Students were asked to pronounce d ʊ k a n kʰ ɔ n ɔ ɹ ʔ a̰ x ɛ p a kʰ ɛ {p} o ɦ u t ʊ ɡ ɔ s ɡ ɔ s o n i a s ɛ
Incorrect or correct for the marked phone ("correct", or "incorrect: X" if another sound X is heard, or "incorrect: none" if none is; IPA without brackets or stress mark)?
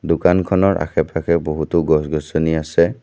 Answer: incorrect: b